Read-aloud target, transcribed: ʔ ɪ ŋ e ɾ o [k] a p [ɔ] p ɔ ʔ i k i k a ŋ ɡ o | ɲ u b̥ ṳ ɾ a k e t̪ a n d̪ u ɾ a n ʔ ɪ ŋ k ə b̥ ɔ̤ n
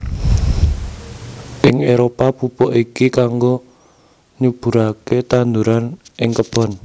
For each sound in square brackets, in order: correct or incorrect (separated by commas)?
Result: incorrect, incorrect